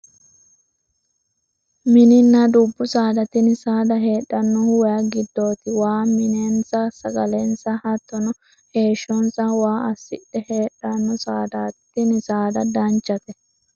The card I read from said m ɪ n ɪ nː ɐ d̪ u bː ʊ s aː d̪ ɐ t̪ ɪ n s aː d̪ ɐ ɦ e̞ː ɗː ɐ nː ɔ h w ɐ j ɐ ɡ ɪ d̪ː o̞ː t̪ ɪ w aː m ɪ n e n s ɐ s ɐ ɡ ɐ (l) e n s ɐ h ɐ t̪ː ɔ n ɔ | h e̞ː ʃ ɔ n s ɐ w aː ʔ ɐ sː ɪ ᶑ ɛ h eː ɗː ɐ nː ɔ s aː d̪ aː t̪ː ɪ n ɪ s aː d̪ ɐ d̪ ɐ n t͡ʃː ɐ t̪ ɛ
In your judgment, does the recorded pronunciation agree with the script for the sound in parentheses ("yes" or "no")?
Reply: yes